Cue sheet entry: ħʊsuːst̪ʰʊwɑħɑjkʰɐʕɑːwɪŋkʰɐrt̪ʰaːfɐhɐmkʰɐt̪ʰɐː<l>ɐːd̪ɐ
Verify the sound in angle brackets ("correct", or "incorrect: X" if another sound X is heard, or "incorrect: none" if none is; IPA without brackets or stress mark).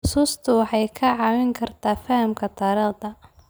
incorrect: ɾ